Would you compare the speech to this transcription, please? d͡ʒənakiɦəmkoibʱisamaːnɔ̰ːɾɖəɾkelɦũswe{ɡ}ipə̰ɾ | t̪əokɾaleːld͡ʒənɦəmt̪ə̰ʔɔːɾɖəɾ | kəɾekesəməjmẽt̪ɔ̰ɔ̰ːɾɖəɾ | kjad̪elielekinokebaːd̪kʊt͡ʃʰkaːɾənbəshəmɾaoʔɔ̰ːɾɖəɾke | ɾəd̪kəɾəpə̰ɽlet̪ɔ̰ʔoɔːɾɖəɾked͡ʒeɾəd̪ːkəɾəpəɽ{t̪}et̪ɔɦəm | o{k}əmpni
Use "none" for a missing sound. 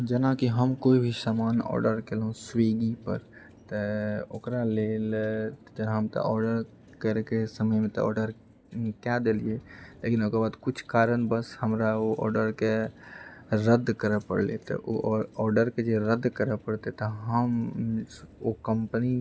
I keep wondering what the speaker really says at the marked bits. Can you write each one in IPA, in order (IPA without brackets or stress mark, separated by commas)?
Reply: ɡ, t̪, k